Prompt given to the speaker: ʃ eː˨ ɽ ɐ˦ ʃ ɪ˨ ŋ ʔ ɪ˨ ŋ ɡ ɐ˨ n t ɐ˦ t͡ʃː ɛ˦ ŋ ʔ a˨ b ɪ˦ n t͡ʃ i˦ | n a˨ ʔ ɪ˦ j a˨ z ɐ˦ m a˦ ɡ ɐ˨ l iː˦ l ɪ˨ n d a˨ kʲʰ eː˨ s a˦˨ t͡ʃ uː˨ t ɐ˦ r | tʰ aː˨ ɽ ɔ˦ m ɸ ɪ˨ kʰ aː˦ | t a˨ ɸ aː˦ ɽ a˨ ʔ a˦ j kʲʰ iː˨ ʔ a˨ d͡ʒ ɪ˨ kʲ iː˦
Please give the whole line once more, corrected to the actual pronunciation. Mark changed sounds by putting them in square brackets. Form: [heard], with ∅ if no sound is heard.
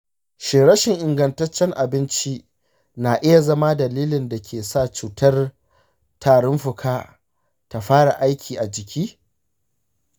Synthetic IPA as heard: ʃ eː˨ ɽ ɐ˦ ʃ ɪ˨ ŋ ʔ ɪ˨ ŋ ɡ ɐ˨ n t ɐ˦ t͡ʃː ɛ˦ ŋ ʔ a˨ b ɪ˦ n t͡ʃ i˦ | n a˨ ʔ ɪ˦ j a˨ z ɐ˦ m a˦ [d] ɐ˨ l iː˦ l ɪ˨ n d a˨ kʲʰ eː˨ s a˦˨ t͡ʃ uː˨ t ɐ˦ r | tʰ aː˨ ɽ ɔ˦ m ɸ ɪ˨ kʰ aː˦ | t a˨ ɸ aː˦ ɽ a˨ ʔ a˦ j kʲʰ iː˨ ʔ a˨ d͡ʒ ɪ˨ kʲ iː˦